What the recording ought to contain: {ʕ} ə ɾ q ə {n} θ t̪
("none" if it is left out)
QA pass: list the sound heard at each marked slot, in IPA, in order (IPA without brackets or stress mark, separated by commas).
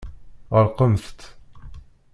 ʁ, m